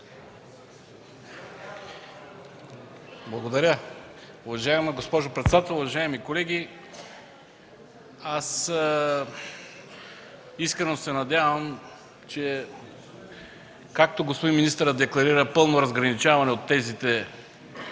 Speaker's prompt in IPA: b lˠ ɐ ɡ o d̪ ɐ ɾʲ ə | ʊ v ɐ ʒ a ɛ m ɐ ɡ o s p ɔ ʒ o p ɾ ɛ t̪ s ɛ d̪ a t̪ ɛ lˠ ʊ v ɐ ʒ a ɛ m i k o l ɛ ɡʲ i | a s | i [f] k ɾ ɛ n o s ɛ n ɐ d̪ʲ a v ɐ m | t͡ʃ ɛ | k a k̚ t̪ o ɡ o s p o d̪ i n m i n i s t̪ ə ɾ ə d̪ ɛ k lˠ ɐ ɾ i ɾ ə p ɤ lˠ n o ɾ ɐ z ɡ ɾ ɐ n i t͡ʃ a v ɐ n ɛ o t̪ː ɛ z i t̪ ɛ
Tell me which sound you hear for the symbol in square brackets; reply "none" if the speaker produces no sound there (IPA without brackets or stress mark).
s